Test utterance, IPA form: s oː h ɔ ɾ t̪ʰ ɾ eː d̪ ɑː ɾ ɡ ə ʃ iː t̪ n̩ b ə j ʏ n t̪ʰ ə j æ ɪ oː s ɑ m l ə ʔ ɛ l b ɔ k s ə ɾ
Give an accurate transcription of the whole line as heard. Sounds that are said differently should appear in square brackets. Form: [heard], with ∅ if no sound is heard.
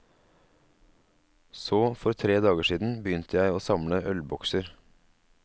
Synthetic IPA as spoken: s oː [f] ɔ ɾ t̪ʰ ɾ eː d̪ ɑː [∅] ɡ ə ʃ iː [d̪] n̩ b ə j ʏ n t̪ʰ ə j æ ɪ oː s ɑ m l ə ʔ [œ] l b ɔ k s ə ɾ